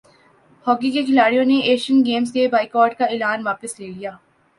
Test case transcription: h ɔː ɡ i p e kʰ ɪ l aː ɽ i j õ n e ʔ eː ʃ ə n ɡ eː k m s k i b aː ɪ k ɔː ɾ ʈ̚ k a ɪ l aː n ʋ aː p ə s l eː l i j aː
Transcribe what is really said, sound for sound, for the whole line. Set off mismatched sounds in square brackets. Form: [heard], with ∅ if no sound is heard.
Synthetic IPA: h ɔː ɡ i [k] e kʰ ɪ l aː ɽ i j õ n e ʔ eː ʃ ə n ɡ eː [∅] m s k [e] b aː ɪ k ɔː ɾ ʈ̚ k a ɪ l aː n ʋ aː p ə s l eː l i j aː